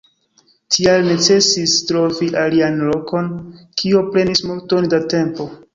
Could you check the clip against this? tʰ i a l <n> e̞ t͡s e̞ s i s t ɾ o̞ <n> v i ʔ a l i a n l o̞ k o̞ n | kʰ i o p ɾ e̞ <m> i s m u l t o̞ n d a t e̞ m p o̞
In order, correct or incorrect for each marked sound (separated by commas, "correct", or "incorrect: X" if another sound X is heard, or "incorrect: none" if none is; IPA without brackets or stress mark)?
correct, incorrect: none, incorrect: n